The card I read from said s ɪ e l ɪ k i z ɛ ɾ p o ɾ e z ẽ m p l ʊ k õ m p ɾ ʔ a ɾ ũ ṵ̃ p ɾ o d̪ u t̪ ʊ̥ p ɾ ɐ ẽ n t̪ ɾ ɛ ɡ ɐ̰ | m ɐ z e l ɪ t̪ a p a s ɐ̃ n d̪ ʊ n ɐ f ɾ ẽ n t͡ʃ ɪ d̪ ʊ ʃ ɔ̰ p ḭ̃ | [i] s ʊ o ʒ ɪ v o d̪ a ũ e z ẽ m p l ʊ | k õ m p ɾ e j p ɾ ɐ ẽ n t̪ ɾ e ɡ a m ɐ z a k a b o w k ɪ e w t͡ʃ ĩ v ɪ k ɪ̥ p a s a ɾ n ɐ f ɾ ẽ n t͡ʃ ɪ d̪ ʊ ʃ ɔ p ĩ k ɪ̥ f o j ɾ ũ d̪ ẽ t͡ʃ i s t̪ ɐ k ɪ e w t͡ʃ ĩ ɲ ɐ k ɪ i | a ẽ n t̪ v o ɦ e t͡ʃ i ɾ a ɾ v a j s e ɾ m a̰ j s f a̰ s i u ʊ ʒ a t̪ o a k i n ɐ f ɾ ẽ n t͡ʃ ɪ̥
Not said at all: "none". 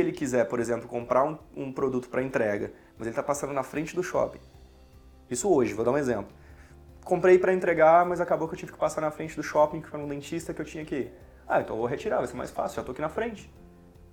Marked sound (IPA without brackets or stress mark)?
i